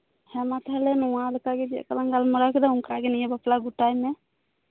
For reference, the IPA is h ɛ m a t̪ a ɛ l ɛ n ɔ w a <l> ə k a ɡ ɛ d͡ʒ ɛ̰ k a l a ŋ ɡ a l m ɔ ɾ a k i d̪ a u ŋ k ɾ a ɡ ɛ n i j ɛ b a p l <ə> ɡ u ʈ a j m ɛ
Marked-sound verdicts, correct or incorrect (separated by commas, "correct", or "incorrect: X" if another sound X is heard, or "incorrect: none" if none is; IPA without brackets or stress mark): correct, incorrect: a